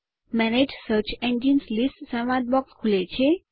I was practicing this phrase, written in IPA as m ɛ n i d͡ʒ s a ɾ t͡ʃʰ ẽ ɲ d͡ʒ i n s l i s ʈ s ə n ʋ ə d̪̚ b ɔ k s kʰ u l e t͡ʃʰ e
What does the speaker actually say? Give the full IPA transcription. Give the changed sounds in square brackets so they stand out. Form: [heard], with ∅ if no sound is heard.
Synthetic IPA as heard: m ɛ n [e] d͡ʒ s [ə] ɾ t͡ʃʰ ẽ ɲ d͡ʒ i n s l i s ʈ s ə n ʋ [a] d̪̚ b ɔ k s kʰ u l e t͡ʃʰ e